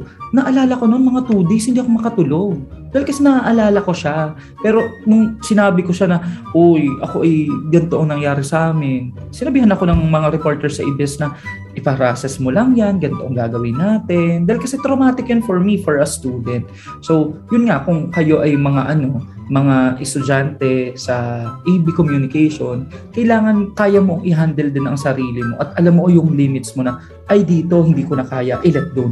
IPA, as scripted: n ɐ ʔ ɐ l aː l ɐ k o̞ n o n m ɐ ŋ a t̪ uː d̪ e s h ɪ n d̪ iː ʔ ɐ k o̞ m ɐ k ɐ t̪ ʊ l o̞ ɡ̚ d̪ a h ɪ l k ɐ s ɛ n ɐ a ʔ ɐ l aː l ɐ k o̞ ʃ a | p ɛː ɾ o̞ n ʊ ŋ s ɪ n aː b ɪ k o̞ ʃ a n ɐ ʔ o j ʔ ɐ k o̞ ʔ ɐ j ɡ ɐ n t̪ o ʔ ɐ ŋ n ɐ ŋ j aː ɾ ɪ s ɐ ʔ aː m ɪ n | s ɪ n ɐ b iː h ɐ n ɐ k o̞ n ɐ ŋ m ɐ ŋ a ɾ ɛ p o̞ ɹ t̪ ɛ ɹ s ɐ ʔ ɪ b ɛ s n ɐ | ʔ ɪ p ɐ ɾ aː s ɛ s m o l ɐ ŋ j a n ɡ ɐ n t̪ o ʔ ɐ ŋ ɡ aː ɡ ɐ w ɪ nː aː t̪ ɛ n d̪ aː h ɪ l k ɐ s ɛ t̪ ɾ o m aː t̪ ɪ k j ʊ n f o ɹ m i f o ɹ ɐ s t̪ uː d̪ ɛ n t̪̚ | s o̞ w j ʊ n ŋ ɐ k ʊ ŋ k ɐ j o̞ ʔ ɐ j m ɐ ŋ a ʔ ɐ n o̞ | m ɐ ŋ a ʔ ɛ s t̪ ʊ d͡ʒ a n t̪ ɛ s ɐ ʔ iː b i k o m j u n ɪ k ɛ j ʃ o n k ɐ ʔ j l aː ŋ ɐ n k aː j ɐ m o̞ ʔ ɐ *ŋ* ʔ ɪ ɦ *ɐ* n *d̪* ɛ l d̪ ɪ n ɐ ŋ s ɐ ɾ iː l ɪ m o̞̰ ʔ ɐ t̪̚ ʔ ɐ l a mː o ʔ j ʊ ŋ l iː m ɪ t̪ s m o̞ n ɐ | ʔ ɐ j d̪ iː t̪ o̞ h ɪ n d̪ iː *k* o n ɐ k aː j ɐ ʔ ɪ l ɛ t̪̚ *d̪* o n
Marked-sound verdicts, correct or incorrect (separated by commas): correct, incorrect, correct, correct, correct